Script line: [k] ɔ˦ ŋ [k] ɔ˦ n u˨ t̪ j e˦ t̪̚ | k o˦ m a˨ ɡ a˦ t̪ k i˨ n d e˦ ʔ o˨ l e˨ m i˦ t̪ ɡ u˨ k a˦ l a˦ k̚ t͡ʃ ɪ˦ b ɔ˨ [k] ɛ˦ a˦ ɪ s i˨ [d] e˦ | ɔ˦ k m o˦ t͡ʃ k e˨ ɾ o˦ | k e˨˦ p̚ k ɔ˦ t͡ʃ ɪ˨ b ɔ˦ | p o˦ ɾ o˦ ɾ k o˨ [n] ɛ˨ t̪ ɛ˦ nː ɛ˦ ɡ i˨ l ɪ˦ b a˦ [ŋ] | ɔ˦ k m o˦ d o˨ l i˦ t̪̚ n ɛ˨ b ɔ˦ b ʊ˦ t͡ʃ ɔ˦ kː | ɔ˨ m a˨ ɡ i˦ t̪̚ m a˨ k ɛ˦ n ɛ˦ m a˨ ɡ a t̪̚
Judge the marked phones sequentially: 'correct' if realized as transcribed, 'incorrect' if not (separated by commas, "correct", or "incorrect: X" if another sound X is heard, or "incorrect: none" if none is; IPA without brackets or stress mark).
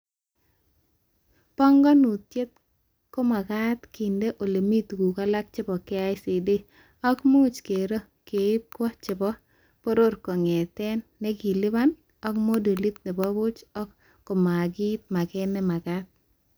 incorrect: p, incorrect: ɡ, correct, correct, incorrect: ŋ, incorrect: n